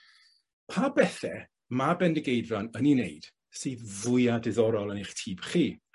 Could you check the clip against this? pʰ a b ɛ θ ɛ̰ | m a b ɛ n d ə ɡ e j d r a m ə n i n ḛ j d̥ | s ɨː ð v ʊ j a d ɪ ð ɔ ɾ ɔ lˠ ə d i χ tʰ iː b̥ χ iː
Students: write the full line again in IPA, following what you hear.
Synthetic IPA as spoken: pʰ a b ɛ θ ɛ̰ | m a b ɛ n d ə ɡ e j d r a n ə n i n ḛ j d̥ | s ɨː ð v ʊ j a d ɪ ð ɔ ɾ ɔ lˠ ə n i χ tʰ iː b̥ χ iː